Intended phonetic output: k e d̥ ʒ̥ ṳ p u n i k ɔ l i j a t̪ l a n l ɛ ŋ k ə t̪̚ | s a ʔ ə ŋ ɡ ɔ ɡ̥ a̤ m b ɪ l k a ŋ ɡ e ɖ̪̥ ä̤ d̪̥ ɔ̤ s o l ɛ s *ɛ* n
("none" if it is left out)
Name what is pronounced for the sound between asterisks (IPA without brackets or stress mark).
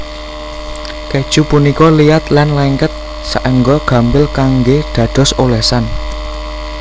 a